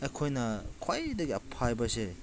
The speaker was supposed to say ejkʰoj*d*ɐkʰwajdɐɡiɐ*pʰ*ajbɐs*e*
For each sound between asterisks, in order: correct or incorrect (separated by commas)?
incorrect, correct, correct